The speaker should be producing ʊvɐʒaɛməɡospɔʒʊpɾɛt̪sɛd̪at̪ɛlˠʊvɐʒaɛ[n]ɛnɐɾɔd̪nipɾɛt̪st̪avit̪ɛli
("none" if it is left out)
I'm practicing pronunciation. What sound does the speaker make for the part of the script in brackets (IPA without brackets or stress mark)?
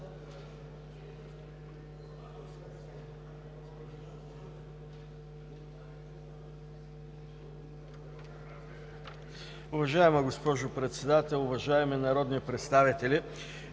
m